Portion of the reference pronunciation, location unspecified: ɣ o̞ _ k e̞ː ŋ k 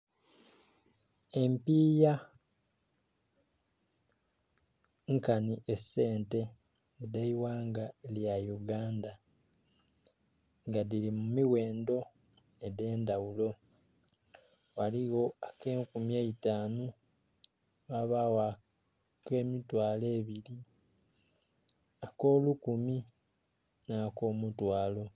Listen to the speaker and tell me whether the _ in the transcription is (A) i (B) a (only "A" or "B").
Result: B